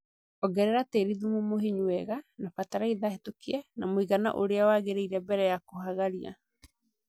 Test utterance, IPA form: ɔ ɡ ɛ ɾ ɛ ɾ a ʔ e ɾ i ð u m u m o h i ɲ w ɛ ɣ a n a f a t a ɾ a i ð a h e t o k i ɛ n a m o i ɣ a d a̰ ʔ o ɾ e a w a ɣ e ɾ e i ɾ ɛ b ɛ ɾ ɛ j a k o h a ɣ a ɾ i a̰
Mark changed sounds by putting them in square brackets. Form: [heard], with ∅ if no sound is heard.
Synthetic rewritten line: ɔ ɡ ɛ ɾ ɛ ɾ a [t] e ɾ i ð u m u m o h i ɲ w ɛ ɣ a n a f a t a ɾ a i ð a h e t o k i ɛ n a m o i ɣ a [n] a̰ ʔ o ɾ e a w a ɣ e ɾ e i ɾ ɛ b ɛ ɾ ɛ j a k o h a ɣ a ɾ i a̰